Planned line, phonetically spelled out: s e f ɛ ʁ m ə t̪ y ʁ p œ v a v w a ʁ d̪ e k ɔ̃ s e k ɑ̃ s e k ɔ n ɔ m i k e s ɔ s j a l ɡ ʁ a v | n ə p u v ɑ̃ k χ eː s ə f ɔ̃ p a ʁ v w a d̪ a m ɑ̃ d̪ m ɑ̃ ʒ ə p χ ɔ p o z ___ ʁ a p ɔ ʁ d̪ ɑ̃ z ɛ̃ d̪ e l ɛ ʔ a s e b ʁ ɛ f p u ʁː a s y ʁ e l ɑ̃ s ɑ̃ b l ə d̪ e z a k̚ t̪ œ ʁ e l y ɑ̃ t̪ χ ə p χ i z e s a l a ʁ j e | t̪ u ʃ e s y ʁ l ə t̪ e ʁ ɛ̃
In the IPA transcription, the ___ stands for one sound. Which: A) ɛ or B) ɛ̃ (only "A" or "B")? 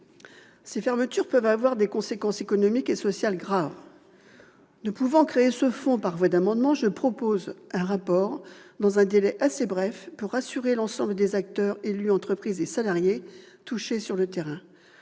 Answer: B